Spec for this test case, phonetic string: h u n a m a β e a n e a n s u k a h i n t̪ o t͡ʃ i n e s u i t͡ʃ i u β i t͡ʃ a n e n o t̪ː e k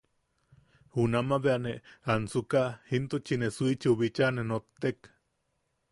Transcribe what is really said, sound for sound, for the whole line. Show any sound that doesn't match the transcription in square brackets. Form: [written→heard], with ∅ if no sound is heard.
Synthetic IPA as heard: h u n a m a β e a n e a n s u k a h i n t̪ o t͡ʃ i n e s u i t͡ʃ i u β i t͡ʃ a n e n o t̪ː e k